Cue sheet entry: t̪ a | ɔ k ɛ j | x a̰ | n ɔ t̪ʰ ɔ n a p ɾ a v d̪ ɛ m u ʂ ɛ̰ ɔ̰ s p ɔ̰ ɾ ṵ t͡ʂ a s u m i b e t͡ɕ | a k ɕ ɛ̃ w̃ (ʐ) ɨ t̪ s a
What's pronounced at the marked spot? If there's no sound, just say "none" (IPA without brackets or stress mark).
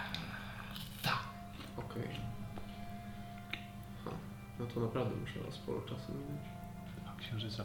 ʐ